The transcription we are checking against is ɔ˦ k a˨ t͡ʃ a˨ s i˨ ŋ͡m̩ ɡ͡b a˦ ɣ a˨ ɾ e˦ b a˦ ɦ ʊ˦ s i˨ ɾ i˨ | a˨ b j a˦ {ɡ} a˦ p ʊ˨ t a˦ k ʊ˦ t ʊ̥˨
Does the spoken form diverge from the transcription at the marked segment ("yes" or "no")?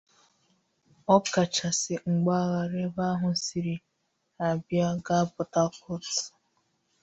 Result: no